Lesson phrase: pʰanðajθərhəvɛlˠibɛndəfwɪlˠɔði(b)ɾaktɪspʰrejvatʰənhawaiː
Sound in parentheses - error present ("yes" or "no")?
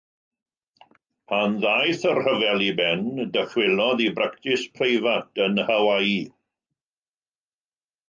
no